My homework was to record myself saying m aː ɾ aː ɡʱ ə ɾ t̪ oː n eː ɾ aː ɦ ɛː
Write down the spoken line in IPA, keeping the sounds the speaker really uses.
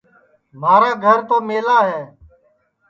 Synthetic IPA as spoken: m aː ɾ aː ɡʱ ə ɾ t̪ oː m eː l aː ɦ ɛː